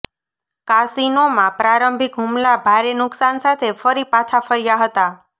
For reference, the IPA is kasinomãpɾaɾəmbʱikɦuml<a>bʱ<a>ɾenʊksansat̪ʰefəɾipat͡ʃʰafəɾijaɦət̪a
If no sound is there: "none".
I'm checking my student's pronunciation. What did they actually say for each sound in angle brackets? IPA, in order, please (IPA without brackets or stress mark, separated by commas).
a, a